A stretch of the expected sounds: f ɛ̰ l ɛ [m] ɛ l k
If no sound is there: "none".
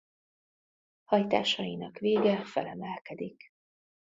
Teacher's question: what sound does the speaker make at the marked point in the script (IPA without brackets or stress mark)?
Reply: m